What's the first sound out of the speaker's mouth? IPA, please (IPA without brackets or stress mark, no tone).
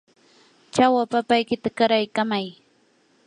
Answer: t͡ʃ